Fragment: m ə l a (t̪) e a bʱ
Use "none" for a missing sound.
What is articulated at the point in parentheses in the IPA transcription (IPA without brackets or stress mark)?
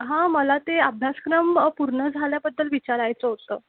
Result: t̪